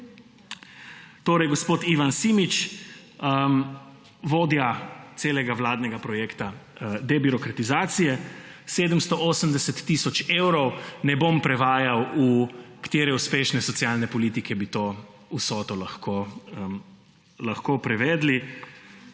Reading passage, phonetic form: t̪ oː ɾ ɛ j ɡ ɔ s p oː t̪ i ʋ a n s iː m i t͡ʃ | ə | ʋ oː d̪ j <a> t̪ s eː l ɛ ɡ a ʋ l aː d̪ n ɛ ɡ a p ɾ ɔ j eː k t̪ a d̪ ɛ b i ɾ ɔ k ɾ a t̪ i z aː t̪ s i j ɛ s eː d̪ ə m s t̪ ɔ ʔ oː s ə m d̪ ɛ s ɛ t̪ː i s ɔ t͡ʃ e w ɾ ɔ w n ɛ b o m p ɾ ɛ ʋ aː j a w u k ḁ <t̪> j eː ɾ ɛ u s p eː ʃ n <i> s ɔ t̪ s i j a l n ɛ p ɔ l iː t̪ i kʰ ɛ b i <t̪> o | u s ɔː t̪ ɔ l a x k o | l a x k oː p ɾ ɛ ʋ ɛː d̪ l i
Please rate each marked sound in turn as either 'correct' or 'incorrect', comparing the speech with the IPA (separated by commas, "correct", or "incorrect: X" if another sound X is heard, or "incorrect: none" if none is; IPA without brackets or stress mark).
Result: correct, correct, incorrect: ɛ, correct